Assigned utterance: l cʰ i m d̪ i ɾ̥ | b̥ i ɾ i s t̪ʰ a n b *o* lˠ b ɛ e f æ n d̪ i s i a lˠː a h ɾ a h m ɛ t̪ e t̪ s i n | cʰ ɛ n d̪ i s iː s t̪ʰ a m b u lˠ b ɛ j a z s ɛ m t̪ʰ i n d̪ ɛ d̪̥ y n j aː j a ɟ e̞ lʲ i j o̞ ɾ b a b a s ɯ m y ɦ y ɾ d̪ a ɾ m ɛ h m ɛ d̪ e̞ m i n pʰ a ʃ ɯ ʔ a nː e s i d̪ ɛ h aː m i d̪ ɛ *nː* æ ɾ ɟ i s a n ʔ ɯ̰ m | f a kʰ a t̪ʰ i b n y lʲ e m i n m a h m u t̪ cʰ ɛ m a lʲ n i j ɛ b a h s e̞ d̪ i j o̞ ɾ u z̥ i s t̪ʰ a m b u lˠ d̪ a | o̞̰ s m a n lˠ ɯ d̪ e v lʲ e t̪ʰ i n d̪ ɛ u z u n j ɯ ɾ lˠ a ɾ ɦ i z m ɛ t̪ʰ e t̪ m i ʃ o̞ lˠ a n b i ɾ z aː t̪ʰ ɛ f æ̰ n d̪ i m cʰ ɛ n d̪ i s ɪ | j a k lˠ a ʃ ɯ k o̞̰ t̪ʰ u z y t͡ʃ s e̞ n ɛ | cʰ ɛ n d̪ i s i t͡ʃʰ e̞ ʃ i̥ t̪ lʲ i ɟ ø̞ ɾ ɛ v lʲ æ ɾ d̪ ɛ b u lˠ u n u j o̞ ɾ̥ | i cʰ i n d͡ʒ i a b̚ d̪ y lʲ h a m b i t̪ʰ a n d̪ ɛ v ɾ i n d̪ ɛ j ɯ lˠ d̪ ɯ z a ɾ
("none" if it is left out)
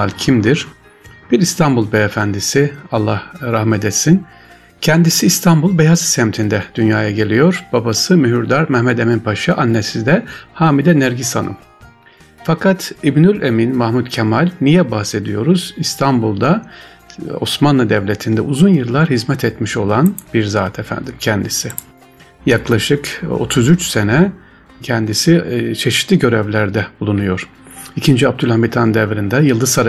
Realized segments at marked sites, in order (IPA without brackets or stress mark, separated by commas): u, n